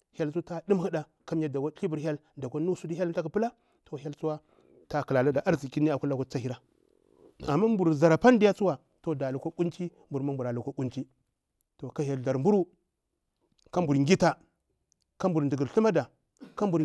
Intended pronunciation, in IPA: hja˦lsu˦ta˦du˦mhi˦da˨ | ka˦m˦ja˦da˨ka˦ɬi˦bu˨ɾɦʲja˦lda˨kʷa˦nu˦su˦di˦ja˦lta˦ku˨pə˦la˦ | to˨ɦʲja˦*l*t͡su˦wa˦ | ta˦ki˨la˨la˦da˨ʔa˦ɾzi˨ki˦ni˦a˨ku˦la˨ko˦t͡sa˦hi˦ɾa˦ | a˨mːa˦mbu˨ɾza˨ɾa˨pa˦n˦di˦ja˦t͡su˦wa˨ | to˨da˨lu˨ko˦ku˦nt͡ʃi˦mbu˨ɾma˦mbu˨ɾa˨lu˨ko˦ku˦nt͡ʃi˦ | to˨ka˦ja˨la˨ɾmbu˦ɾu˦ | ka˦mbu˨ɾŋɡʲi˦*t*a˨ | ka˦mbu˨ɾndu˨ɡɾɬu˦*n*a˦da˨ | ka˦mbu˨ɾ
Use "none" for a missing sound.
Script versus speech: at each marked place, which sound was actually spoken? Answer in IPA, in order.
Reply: l, t, m

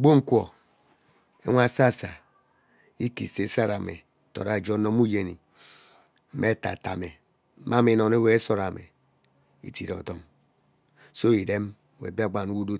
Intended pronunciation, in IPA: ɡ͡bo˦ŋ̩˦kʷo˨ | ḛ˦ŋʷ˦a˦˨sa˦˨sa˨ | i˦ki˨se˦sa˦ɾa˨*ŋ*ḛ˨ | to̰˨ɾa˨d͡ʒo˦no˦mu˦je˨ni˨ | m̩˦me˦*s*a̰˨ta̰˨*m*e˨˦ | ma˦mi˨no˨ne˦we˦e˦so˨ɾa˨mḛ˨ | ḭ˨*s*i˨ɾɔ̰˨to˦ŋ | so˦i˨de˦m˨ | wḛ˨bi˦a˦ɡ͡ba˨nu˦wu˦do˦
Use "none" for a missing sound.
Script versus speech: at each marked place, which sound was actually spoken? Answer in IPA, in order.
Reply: m, t, m, t

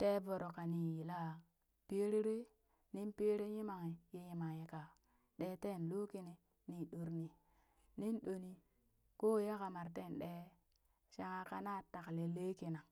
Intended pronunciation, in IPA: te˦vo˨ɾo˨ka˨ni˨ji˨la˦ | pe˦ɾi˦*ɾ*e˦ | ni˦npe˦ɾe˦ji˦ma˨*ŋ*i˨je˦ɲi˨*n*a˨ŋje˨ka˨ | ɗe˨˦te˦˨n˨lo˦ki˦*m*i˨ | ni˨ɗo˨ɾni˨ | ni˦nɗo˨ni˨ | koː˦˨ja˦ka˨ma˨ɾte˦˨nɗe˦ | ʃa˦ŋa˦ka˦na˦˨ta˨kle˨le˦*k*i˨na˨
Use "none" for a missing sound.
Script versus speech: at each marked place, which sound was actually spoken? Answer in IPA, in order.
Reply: ɾ, ŋ, m, n, k

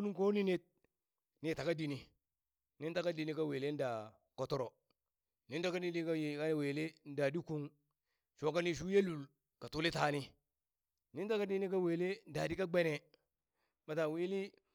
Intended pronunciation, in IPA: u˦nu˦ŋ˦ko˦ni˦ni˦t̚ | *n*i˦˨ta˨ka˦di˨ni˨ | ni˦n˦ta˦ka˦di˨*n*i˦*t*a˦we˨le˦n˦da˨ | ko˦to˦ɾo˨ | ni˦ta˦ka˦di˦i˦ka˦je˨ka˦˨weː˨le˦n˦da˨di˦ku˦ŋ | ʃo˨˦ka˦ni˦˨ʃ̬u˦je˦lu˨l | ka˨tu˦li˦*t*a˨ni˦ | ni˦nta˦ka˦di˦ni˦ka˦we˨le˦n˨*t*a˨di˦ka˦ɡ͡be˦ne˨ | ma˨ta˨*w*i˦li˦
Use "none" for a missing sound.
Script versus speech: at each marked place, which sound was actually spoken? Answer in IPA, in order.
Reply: n, n, k, t, d, w

